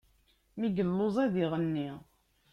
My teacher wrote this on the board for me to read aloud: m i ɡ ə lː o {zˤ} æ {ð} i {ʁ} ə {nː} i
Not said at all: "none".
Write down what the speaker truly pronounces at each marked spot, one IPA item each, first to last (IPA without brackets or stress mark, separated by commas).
zˤ, ð, ʁ, nː